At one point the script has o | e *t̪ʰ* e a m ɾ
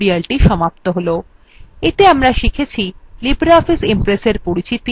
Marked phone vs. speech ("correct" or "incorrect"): incorrect